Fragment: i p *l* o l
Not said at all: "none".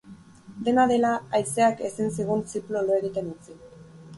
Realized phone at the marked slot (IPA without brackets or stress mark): l